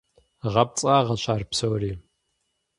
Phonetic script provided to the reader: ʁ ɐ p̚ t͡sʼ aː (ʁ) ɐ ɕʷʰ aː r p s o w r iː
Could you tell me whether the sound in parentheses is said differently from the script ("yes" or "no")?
no